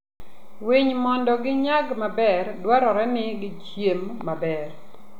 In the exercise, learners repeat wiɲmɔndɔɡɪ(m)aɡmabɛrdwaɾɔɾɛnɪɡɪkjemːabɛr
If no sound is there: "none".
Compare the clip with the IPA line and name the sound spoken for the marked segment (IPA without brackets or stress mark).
ɲ